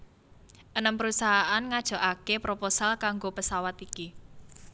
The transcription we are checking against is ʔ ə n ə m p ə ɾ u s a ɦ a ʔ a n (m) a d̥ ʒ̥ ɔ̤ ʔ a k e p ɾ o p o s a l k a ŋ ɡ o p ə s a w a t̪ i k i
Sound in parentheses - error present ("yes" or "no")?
yes